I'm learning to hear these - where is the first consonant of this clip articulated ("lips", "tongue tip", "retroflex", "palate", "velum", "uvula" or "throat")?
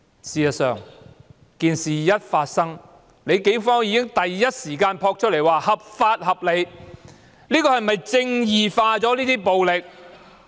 tongue tip